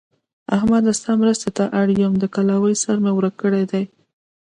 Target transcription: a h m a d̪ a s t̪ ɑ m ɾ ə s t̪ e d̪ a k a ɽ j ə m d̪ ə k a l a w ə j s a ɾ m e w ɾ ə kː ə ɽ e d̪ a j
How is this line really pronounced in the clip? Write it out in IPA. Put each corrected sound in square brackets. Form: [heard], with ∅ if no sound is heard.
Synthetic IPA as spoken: a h m a d̪ a s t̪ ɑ m ɾ ə s t̪ e [t̪] a [ʔ] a ɽ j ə m d̪ ə k a l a w ə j s a ɾ m e w ɾ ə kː ə ɽ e d̪ a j